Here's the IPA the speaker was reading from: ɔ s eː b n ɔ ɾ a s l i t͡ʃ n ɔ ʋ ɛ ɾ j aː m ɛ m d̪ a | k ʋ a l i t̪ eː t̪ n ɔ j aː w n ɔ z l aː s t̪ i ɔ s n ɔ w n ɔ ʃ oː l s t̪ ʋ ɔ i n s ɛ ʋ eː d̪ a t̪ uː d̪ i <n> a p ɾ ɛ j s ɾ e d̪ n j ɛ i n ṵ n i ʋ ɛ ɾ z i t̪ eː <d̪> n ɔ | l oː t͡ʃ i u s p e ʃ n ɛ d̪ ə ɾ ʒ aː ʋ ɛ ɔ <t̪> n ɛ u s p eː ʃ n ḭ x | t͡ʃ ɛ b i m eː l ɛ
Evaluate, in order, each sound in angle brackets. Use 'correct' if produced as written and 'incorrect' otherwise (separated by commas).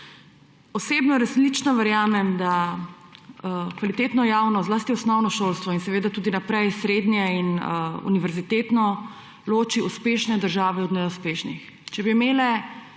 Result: correct, incorrect, incorrect